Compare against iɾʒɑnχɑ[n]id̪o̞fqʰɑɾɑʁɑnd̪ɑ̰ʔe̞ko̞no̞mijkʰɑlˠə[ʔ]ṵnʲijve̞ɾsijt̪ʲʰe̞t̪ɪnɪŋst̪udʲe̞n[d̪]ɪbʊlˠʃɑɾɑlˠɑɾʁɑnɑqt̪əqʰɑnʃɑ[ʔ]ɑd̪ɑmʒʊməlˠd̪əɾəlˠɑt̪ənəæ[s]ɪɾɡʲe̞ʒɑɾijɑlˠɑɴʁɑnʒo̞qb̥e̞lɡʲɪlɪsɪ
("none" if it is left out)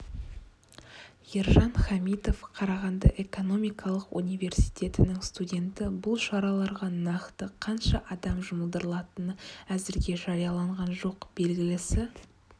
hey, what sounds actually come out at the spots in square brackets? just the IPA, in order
m, q, t̪, ʔ, z

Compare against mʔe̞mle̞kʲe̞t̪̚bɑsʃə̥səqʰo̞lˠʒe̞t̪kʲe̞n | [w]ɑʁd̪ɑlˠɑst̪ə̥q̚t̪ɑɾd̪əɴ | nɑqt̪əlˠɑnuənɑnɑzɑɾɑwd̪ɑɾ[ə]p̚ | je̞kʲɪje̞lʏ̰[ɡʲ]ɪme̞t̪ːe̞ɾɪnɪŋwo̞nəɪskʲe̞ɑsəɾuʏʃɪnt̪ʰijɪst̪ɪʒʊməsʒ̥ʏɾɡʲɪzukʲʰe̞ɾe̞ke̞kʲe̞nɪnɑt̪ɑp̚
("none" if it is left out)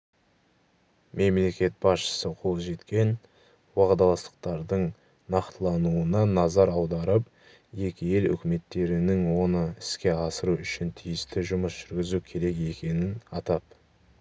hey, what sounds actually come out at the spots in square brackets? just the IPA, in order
w, ə, kʲ

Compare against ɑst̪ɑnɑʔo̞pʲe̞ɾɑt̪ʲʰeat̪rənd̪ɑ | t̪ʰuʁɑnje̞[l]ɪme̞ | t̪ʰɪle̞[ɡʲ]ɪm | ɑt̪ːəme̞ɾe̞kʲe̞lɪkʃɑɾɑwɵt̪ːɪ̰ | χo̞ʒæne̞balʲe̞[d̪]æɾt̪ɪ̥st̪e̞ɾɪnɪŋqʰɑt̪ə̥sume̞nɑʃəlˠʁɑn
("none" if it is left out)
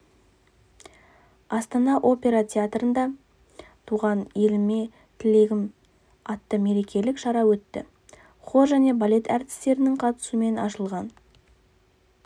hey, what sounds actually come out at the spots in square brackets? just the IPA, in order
l, ɡʲ, t̪

